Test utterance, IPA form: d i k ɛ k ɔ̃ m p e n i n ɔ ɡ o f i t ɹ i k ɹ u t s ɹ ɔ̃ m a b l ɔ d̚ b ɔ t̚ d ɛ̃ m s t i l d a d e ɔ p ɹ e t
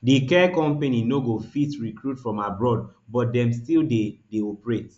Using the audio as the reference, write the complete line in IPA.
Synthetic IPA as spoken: d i k ɛ k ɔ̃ m p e n i n o ɡ o f i t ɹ i k ɹ u t f ɹ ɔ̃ m a b ɹ ɔ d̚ b ɔ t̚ d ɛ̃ m s t i l d e d e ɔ p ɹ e t